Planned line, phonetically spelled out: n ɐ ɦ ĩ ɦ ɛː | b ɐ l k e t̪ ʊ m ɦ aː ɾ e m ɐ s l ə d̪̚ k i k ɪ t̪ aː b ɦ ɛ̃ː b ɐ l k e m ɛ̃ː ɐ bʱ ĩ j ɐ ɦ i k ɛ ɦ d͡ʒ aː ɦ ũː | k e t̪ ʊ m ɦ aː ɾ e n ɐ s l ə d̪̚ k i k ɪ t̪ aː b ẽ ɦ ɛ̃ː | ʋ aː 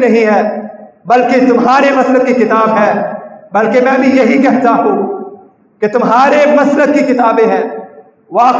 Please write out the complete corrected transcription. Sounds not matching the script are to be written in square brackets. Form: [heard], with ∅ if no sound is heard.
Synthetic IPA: n ɐ ɦ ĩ ɦ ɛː | b ɐ l k e t̪ ʊ m ɦ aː ɾ e m ɐ s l ə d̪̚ k i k ɪ t̪ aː b ɦ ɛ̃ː b ɐ l k e m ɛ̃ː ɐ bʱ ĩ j ɐ ɦ i k ɛ ɦ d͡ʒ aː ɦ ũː | k e t̪ ʊ m ɦ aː ɾ e [m] ɐ s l ə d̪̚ k i k ɪ t̪ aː b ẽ ɦ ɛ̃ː | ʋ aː